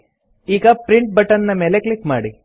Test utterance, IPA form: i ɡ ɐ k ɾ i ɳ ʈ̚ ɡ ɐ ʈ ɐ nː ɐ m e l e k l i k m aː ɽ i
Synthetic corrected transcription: iː ɡ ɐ p ɾ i ɳ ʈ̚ b ɐ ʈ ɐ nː ɐ m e l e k l i k m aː ɽ i